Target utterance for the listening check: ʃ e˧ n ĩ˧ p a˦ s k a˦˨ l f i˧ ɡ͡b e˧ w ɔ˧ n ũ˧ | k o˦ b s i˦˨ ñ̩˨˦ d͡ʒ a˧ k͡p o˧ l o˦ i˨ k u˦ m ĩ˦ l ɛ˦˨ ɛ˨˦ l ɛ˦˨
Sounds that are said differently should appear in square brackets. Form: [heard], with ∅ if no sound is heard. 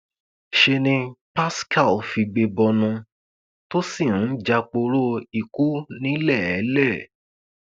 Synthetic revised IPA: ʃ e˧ n ĩ˧ p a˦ s k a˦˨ l f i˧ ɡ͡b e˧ [b] ɔ˧ n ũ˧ | [t] o˦ [∅] s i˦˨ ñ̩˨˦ d͡ʒ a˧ k͡p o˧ [ɾ] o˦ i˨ k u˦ [n] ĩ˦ l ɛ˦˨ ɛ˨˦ l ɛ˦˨

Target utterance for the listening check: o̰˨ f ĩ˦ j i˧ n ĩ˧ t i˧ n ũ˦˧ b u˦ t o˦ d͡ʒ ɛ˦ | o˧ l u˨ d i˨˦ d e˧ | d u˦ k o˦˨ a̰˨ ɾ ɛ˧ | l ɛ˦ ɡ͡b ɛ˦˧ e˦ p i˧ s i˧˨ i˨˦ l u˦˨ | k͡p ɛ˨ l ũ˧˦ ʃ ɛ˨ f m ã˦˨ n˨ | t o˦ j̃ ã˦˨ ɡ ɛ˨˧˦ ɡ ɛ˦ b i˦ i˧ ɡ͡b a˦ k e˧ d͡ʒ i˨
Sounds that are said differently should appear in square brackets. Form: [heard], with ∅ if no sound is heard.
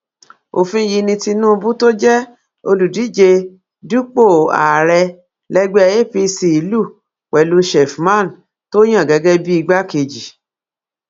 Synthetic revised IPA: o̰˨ f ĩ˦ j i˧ n ĩ˧ t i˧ n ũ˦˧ b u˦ t o˦ d͡ʒ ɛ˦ | o˧ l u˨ d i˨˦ [d͡ʒ] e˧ | d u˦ [k͡p] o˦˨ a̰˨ ɾ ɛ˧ | l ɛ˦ ɡ͡b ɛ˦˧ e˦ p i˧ s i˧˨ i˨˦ l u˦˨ | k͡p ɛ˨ l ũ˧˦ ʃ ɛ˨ f m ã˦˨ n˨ | t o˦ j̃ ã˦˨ ɡ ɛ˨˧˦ ɡ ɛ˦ b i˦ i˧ ɡ͡b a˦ k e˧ d͡ʒ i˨

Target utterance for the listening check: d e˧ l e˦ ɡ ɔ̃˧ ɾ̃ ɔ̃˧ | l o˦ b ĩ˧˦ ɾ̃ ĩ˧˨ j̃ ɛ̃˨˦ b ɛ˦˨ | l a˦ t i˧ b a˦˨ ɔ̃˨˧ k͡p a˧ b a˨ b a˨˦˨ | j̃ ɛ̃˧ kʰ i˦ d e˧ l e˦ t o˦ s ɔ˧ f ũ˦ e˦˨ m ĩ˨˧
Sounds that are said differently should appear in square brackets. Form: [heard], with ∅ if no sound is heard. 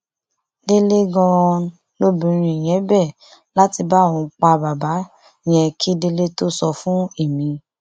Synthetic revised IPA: d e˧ l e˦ ɡ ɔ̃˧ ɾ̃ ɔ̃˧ | l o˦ b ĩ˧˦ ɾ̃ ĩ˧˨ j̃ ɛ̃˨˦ b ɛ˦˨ | l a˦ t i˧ b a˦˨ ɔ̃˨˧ k͡p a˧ b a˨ b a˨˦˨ | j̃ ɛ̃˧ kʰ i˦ d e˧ l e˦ t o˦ s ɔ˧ f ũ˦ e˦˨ m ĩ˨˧

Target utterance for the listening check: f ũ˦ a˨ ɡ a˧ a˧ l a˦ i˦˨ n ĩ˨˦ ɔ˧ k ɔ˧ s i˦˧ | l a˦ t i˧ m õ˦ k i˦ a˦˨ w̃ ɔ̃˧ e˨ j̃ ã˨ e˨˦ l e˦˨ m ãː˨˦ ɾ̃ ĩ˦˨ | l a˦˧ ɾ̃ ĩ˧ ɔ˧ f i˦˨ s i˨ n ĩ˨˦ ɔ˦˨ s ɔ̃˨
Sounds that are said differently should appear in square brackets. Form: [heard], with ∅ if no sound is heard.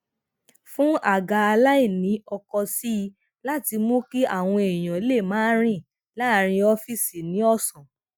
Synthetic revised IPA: f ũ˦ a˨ ɡ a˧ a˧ l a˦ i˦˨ n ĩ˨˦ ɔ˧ k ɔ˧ s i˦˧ | l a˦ t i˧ m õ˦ k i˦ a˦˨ w̃ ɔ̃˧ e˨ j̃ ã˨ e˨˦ l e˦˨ m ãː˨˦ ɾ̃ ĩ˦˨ | l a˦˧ ɾ̃ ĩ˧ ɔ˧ f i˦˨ s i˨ n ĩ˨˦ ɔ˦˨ s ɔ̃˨

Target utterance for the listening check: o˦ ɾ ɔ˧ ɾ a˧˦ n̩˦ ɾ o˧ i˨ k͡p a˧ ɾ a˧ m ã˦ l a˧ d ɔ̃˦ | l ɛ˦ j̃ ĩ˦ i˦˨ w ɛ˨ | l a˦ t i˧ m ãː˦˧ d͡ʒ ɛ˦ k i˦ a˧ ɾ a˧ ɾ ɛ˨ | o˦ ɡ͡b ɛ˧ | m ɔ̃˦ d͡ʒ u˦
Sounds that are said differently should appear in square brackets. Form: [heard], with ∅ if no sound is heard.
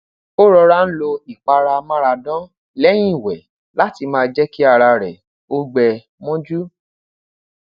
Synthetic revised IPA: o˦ ɾ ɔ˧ ɾ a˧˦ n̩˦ [l] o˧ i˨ k͡p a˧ ɾ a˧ m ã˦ [ɾ] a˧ d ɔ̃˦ | l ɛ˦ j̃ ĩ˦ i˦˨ w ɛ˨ | l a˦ t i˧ m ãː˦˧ d͡ʒ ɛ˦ k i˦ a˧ ɾ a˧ ɾ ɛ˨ | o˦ ɡ͡b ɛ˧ | m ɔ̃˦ d͡ʒ u˦

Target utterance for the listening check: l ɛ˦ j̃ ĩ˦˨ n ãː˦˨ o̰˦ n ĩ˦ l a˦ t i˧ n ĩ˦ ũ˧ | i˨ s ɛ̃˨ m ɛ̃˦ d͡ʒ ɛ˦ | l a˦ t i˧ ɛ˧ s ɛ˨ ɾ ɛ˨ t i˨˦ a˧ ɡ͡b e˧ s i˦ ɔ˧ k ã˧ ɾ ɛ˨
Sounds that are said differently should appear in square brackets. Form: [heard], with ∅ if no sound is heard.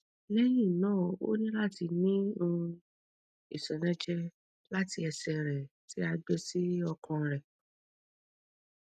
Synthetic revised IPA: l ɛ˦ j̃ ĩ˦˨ n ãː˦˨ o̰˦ n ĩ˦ l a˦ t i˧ n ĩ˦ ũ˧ | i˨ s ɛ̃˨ [n] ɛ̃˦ d͡ʒ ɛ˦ | l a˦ t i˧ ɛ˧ s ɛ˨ ɾ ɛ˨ t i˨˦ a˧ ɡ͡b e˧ s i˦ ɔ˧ k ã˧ ɾ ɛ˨

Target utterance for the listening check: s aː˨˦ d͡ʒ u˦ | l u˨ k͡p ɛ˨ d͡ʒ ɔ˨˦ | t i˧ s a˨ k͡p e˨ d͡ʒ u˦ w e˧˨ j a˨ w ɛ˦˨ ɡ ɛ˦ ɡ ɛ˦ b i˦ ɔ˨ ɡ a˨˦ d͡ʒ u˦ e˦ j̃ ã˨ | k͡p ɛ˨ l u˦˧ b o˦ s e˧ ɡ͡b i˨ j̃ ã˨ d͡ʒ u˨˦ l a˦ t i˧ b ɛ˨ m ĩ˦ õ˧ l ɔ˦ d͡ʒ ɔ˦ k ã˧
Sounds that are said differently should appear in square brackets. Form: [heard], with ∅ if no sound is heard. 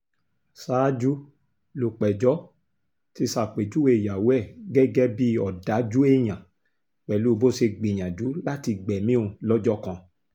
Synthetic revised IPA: s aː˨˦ d͡ʒ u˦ | l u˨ k͡p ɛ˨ d͡ʒ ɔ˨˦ | t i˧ s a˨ k͡p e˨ d͡ʒ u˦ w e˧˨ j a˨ w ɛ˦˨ ɡ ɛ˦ ɡ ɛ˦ b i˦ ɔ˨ [d] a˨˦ d͡ʒ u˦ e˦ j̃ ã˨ | k͡p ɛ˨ l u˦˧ b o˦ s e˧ ɡ͡b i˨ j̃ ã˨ d͡ʒ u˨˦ l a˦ t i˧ [ɡ͡b] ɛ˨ m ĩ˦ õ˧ l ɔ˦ d͡ʒ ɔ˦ k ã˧

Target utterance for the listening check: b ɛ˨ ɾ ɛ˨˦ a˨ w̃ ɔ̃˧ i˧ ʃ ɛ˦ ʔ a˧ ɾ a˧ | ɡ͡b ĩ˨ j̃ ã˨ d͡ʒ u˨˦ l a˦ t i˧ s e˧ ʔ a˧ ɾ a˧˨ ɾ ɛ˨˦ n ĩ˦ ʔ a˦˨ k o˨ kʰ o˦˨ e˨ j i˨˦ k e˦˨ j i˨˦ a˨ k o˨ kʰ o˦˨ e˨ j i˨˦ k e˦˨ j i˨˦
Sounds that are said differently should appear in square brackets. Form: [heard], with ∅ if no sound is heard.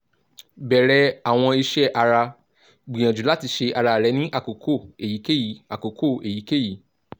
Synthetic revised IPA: b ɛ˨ ɾ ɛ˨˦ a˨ w̃ ɔ̃˧ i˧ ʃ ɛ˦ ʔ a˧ ɾ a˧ | ɡ͡b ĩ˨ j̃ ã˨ d͡ʒ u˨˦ l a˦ t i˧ [ʃ] e˧ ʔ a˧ ɾ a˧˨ ɾ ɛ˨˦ n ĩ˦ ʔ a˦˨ k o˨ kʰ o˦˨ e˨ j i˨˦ k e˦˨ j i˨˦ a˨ k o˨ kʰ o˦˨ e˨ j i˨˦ k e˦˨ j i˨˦

